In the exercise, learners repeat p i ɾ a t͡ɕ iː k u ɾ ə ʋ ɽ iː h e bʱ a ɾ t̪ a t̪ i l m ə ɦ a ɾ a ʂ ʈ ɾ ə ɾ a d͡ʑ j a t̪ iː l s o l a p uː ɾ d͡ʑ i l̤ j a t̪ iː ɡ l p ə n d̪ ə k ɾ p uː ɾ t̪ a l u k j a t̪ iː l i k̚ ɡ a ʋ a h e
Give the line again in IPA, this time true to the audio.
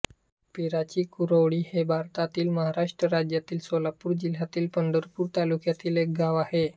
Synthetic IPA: p i ɾ a t͡ɕ iː k u ɾ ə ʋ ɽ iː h e bʱ a ɾ t̪ a t̪ iː l m ə ɦ a ɾ a ʂ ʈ ɾ ə ɾ a d͡ʑ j a t̪ iː l s o l a p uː ɾ d͡ʑ i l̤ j a t̪ iː l p ə n d̪ ə ɾ p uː ɾ t̪ a l u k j a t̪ iː l e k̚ ɡ a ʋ a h e